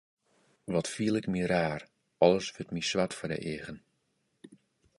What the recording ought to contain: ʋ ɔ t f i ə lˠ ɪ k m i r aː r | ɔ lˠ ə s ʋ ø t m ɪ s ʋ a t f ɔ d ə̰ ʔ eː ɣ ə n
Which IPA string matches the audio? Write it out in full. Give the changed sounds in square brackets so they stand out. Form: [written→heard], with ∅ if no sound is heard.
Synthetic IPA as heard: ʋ ɔ t f i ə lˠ ɪ k m i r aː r | ɔ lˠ ə s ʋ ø t m [ɪ→i] s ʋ a t f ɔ d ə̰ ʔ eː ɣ ə n